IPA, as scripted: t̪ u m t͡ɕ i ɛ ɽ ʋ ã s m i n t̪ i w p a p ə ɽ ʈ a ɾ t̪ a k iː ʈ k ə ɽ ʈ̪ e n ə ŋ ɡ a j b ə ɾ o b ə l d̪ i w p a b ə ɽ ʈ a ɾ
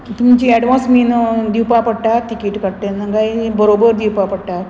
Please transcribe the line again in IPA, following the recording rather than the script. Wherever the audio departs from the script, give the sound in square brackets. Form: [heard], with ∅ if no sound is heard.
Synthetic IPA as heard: t̪ u m t͡ɕ i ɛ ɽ ʋ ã s m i n [d̪] i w p a p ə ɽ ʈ a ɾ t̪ [i] k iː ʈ k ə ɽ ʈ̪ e n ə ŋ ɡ a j b ə ɾ o b ə [ɾ] d̪ i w p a [p] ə ɽ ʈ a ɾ